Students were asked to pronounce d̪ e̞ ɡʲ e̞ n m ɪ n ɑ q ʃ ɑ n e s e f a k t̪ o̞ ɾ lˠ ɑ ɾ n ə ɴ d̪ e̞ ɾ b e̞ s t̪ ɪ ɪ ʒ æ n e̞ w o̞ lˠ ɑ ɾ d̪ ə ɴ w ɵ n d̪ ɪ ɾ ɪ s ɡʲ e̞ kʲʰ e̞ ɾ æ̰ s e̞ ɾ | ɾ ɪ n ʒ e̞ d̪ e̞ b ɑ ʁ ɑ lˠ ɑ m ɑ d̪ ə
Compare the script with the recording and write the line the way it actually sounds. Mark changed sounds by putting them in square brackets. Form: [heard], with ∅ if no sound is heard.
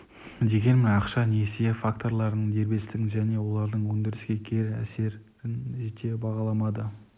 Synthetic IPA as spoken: d̪ e̞ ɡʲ e̞ n m ɪ n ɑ q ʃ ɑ n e s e f a k t̪ o̞ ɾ lˠ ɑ ɾ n ə ɴ d̪ e̞ ɾ b e̞ s t̪ ɪ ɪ ʒ æ n e̞ w o̞ lˠ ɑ ɾ d̪ ə ɴ w ɵ n d̪ ɪ ɾ ɪ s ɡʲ e̞ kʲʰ e̞ ɾ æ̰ s e̞ ɾ | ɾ ɪ n ʒ e̞ [t̪] e̞ b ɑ ʁ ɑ lˠ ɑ m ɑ d̪ ə

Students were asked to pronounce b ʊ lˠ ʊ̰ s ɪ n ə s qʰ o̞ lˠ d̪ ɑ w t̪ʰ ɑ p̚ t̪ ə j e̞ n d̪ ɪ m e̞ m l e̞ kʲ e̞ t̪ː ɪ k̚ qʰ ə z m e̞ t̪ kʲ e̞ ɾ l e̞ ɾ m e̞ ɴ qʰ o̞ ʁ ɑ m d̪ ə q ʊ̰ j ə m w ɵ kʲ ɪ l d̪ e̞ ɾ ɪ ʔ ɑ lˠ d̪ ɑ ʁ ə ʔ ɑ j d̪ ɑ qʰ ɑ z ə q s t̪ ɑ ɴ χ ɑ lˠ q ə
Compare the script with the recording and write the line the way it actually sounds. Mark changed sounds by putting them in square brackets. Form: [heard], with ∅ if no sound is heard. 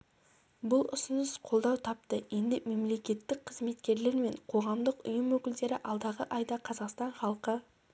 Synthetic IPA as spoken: b ʊ lˠ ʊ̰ s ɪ n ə s qʰ o̞ lˠ d̪ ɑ w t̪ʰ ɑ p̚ t̪ ə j e̞ n d̪ ɪ m e̞ m l e̞ kʲ e̞ t̪ː ɪ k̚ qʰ ə z m e̞ t̪ kʲ e̞ ɾ l e̞ ɾ m e̞ ɴ qʰ o̞ ʁ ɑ m d̪ ə q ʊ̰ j ə m w ɵ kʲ ɪ l d̪ e̞ ɾ ɪ ʔ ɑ lˠ d̪ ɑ ʁ ə ʔ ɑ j d̪ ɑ qʰ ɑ z [ɑ] q s t̪ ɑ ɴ χ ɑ lˠ q ə

